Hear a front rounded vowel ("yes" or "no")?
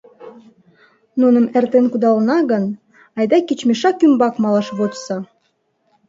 yes